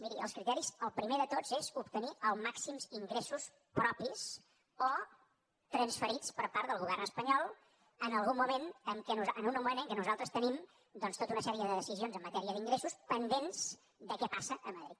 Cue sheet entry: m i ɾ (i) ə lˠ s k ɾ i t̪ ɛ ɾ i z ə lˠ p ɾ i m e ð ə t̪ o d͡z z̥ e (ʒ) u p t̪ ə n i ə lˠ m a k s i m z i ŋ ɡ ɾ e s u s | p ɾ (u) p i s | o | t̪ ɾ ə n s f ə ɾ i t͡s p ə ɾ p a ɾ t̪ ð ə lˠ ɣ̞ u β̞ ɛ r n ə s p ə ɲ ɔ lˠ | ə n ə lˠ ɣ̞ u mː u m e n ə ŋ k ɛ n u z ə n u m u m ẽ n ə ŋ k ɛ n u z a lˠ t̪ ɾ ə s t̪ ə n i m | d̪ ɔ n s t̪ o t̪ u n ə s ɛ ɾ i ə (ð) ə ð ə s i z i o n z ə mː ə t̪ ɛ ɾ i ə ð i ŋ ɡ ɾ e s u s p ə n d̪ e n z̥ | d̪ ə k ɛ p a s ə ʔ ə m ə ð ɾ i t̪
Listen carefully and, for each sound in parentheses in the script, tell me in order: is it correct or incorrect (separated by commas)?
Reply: correct, incorrect, incorrect, correct